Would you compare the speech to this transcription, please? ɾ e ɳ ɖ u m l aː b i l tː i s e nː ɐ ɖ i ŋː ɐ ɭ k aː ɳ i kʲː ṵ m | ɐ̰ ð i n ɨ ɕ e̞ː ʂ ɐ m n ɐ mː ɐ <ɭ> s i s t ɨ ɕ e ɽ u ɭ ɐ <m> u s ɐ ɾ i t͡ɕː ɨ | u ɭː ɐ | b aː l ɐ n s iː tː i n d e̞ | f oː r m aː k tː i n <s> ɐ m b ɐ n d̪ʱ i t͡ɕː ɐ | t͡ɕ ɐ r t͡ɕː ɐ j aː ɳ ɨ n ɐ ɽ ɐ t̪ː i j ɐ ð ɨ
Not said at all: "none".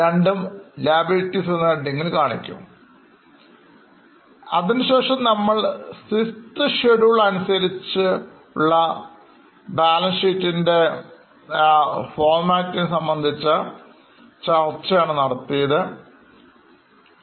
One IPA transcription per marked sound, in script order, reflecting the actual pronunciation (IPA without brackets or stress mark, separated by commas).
ɭ, n, s